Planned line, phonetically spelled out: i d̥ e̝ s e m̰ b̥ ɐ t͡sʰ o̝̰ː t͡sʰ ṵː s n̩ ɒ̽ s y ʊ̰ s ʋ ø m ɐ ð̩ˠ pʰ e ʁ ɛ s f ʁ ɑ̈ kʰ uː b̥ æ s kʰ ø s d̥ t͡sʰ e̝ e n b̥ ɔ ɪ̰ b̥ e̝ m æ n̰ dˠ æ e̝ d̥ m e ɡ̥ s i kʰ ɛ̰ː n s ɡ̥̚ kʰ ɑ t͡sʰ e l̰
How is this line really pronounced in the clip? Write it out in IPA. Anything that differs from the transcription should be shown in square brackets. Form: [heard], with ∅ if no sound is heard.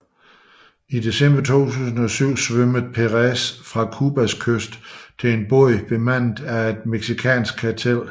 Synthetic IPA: i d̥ e̝ s e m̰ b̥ ɐ t͡sʰ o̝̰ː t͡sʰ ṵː s n̩ ɒ̽ s y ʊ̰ s ʋ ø m [ə] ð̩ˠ pʰ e ʁ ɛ s f ʁ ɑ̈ kʰ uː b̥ æ s kʰ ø s d̥ t͡sʰ e̝ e n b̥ ɔ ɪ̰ b̥ e̝ m æ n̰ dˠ æ e̝ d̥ m e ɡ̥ s i kʰ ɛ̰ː n s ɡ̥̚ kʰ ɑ t͡sʰ e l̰

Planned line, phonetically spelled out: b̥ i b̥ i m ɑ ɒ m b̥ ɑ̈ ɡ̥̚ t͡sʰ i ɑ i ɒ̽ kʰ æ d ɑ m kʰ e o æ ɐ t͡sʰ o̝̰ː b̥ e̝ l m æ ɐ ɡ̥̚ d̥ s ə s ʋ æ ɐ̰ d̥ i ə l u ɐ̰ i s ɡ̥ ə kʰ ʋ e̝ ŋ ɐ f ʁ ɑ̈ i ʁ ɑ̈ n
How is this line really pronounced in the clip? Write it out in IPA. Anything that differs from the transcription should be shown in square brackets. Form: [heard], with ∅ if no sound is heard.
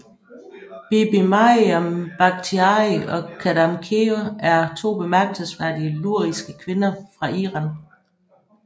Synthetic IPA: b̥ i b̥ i m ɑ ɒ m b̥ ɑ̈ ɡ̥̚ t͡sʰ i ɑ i ɒ̽ kʰ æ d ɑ m kʰ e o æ ɐ t͡sʰ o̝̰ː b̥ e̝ [∅] m æ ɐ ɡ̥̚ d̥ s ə s ʋ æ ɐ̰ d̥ i ə l u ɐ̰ i s ɡ̥ ə kʰ ʋ e̝ [n] ɐ f ʁ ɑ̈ i ʁ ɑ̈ n

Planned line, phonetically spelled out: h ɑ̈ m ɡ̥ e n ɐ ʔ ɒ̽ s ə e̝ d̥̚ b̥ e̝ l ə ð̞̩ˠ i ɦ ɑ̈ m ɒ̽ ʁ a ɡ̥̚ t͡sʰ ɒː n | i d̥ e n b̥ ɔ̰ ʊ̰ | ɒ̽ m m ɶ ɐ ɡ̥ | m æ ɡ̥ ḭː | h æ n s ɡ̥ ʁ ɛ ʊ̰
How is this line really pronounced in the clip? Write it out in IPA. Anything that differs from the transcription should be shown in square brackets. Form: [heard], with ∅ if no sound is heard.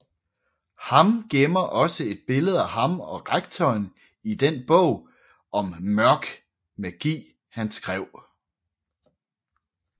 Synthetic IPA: h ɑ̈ m ɡ̥ e [m] ɐ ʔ ɒ̽ s ə e̝ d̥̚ b̥ e̝ l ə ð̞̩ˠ [æ] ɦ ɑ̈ m ɒ̽ ʁ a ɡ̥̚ t͡sʰ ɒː n | i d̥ e n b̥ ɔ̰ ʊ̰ | ɒ̽ m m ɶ ɐ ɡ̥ | m æ ɡ̥ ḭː | h æ n s ɡ̥ ʁ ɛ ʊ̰

